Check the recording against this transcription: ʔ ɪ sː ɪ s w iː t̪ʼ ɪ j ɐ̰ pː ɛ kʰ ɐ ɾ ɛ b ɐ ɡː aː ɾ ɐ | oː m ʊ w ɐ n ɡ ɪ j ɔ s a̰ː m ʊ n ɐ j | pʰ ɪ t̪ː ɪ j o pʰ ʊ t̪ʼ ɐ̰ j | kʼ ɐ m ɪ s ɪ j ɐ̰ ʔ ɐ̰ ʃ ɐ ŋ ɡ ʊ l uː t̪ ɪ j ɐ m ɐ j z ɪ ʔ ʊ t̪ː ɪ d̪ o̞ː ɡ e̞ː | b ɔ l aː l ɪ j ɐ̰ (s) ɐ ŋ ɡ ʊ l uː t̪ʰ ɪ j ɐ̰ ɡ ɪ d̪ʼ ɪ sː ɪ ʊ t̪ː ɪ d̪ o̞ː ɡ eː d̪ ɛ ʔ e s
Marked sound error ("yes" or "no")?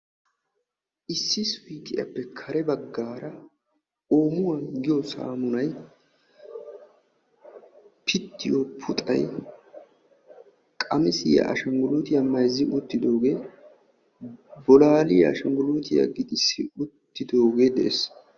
yes